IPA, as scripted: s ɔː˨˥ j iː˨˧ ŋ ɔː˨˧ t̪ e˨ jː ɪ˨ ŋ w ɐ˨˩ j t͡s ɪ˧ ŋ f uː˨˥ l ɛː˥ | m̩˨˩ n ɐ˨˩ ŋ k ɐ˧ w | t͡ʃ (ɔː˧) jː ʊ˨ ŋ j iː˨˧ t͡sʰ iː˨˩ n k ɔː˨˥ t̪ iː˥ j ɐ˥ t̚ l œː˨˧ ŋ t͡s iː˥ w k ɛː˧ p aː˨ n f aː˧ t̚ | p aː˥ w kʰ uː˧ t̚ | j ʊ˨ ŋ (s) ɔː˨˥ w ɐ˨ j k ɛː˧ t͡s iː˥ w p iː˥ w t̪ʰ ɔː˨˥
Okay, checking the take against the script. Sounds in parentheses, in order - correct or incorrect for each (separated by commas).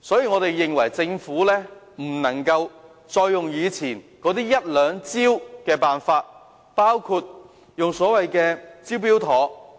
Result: correct, correct